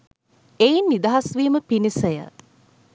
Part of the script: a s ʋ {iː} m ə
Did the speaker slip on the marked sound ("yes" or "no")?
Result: no